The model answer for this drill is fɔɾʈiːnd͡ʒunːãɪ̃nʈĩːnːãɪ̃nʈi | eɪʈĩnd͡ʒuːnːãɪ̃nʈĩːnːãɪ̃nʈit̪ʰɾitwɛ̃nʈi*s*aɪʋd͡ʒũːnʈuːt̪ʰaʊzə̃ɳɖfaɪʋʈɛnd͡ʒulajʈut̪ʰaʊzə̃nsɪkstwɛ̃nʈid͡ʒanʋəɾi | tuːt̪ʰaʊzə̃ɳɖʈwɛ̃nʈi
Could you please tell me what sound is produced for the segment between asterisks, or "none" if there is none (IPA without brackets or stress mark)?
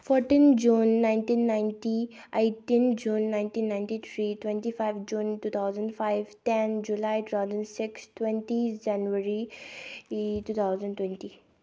f